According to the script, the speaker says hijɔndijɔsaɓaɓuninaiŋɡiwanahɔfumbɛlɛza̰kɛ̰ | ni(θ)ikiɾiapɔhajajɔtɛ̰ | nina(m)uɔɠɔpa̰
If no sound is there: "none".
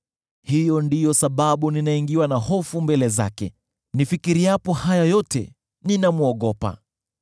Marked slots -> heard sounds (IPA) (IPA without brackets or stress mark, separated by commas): f, m